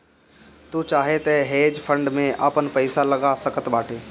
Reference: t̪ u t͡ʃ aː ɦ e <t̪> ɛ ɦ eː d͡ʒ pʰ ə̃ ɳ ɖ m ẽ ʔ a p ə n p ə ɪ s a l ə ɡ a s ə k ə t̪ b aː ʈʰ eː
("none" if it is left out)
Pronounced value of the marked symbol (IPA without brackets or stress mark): t̪